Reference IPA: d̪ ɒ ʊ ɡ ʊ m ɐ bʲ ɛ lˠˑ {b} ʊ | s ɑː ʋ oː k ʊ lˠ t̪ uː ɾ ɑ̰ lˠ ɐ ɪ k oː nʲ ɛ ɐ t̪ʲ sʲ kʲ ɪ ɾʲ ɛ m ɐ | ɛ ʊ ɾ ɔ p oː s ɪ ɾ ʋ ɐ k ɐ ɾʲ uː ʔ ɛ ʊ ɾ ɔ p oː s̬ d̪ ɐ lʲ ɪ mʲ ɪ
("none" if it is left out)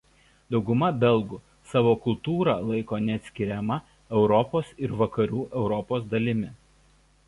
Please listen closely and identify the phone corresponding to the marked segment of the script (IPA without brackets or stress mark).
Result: ɡ